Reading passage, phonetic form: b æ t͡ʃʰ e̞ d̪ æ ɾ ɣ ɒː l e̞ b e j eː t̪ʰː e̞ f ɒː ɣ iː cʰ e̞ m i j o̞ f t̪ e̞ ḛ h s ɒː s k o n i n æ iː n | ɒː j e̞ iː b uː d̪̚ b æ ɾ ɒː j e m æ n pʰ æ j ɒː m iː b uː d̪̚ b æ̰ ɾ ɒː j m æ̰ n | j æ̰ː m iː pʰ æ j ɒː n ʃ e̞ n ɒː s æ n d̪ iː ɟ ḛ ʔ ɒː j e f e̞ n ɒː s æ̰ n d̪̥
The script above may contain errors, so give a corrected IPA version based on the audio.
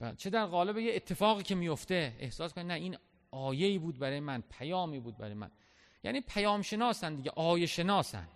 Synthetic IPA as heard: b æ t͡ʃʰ e̞ d̪ æ ɾ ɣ ɒː l e̞ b e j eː t̪ʰː e̞ f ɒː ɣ iː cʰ e̞ m i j o̞ f t̪ e̞ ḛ h s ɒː s k o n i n æ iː n | ɒː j e̞ iː b uː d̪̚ b æ ɾ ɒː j e m æ n pʰ æ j ɒː m iː b uː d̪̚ b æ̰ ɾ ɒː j m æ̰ n | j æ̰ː n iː pʰ æ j ɒː m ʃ e̞ n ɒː s æ n d̪ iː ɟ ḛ ʔ ɒː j e ʃ e̞ n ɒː s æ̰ n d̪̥